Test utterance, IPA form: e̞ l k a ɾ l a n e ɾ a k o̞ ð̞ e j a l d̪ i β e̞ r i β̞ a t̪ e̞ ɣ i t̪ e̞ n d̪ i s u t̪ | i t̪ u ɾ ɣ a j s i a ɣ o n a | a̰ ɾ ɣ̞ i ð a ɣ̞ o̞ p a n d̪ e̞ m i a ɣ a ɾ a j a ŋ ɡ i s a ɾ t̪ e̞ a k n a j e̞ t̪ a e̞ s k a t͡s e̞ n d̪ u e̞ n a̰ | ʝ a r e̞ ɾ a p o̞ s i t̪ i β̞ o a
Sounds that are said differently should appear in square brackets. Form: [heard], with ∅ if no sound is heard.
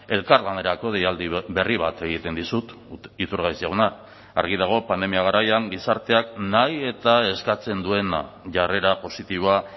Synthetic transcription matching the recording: e̞ l k a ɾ l a n e ɾ a k o̞ ð̞ e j a l d̪ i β e̞ r i β̞ a t̪ e̞ ɣ i t̪ e̞ n d̪ i s u t̪ | i t̪ u ɾ ɣ a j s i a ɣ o n a | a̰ ɾ ɣ̞ i ð a ɣ̞ o̞ p a n d̪ e̞ m i a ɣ a ɾ a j a ŋ ɡ i s a ɾ t̪ e̞ a k n a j e̞ t̪ a e̞ s k a t͡s e̞ n d̪ u e̞ n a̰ | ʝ a r e̞ ɾ a p o̞ s i t̪ i β̞ o a